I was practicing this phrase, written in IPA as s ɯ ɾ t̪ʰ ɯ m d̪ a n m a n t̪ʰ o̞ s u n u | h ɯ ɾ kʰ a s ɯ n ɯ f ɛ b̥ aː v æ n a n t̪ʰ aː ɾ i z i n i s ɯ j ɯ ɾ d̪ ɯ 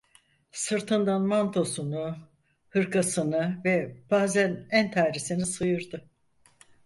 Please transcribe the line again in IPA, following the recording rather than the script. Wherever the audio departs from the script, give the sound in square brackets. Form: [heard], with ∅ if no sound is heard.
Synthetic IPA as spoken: s ɯ ɾ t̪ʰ ɯ [n] d̪ a n m a n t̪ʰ o̞ s u n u | h ɯ ɾ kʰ a s ɯ n ɯ [v] ɛ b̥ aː [z] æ n [æ] n t̪ʰ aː ɾ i [s] i n i s ɯ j ɯ ɾ d̪ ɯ